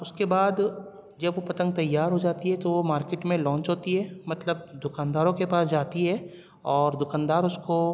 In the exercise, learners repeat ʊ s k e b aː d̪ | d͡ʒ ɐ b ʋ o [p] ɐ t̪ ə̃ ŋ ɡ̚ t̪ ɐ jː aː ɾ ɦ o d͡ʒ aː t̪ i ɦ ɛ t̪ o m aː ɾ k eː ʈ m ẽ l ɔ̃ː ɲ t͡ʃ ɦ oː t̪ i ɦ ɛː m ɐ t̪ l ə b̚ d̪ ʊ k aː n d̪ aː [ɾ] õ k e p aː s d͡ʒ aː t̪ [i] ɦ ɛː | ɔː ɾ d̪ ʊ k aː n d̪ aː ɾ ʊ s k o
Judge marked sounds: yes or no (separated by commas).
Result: yes, yes, yes